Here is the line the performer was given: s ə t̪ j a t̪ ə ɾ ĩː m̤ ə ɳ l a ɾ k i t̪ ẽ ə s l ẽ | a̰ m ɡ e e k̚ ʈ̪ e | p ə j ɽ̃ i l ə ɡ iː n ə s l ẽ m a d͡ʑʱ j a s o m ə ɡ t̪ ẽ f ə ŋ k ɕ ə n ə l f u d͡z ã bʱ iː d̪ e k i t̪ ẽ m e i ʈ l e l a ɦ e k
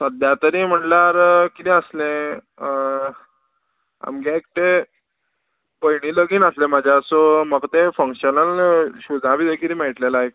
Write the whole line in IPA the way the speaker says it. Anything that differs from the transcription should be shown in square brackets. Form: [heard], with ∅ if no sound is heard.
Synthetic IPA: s ə [d̪] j a t̪ ə ɾ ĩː m̤ ə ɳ l a ɾ k i t̪ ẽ ə s l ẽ | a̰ m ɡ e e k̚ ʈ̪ e | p ə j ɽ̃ i l ə ɡ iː n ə s l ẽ m a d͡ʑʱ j a s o m ə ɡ t̪ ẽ f ə ŋ k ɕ ə n ə l [ɕ] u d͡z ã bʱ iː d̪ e k i t̪ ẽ m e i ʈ l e l a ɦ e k